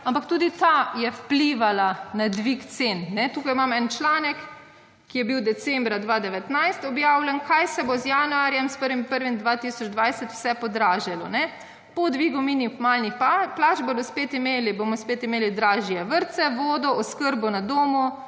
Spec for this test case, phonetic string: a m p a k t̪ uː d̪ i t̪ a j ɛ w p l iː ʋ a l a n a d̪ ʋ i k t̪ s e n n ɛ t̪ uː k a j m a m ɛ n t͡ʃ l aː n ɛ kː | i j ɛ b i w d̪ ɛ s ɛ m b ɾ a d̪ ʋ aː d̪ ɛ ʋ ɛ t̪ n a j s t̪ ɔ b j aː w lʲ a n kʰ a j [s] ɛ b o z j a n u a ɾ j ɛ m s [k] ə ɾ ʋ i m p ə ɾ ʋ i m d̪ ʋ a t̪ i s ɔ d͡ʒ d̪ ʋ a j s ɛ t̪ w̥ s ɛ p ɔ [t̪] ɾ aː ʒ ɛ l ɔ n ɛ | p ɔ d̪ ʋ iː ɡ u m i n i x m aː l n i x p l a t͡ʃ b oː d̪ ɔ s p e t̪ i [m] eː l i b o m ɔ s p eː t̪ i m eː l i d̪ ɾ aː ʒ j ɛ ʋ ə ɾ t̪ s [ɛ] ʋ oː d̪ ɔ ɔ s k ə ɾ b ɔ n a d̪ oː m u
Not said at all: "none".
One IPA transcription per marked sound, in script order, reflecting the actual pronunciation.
s, p, d̪, m, ɛ

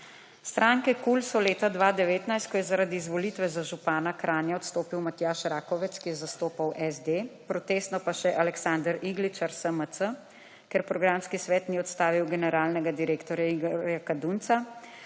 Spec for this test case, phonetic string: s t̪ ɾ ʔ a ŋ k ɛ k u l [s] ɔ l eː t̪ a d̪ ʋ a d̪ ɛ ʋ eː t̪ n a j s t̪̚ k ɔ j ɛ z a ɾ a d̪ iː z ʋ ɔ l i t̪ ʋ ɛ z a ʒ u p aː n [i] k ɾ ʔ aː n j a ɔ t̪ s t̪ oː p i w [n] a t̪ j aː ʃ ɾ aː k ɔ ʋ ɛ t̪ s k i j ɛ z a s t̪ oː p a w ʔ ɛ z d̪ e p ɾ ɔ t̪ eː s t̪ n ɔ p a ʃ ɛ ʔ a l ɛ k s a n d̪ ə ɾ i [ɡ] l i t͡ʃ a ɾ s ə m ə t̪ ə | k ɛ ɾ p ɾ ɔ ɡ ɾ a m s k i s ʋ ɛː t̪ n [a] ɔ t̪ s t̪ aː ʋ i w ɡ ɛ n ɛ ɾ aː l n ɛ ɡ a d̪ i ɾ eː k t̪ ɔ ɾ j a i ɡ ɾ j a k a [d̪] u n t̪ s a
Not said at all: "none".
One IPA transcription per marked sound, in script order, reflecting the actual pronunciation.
s, a, m, ɡ, i, d̪

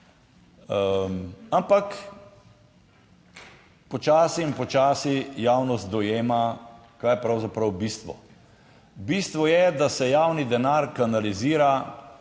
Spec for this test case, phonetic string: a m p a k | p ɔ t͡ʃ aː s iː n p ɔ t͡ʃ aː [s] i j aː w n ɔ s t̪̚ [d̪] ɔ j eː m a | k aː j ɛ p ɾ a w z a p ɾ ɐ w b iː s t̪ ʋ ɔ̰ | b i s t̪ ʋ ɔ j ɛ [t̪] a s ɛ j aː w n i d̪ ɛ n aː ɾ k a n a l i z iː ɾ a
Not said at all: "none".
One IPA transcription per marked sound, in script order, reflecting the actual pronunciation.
s, d̪, d̪

